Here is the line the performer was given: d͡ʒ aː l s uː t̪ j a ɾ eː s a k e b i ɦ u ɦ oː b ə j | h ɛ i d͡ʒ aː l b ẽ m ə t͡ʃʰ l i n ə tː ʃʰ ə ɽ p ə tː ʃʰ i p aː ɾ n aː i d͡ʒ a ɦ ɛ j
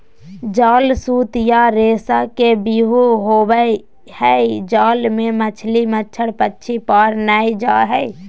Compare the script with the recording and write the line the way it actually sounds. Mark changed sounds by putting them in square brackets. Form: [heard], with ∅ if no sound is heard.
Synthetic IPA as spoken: d͡ʒ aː l s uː t̪ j a ɾ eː s a k e b i ɦ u ɦ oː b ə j | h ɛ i d͡ʒ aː l [m] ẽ m ə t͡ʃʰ l i [m] ə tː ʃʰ ə ɽ p ə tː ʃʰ i p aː ɾ n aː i d͡ʒ a ɦ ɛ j